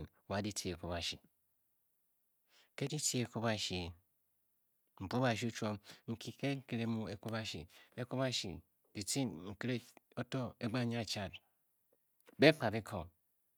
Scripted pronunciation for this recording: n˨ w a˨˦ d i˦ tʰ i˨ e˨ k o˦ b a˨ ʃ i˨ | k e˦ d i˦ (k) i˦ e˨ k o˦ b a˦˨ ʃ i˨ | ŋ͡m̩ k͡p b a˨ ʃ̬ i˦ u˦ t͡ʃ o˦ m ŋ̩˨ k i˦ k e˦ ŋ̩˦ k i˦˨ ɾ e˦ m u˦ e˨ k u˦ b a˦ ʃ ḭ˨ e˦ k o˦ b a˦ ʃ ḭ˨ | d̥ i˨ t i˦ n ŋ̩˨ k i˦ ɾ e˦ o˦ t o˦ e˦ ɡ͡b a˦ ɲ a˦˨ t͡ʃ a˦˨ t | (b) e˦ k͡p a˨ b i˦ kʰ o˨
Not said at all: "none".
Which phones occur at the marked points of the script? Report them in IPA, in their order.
t, b

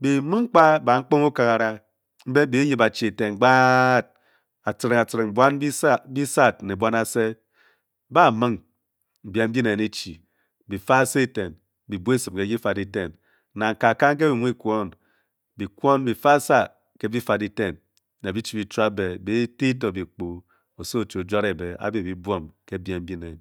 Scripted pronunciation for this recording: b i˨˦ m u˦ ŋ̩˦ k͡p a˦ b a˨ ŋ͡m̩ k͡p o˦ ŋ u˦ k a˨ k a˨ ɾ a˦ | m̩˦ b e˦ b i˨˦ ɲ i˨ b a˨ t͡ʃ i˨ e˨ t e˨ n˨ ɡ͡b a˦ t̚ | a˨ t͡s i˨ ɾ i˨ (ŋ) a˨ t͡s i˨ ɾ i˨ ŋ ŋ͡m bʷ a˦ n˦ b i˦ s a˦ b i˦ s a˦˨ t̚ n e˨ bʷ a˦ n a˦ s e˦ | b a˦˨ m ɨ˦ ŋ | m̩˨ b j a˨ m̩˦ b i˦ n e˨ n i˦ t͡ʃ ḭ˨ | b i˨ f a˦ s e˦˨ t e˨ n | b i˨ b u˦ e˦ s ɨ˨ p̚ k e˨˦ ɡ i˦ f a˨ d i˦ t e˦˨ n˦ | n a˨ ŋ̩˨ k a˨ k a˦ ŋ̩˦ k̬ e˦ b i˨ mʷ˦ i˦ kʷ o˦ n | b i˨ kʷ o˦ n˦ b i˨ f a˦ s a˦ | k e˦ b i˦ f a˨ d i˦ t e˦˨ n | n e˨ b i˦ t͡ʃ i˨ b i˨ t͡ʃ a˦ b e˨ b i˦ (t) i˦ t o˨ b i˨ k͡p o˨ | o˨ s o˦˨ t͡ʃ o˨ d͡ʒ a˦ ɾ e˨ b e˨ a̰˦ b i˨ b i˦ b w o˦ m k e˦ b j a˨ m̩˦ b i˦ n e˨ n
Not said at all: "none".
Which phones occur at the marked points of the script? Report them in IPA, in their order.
ŋ, t

